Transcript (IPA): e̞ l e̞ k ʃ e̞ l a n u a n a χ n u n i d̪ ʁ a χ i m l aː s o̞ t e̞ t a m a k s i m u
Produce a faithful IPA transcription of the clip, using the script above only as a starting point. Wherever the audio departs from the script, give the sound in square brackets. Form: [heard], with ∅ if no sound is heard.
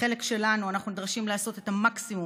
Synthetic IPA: e̞ l e̞ k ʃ e̞ l a n u a n a χ n u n i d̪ ʁ a [ʃ] i m l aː s o̞ t e̞ t a m a k s i m u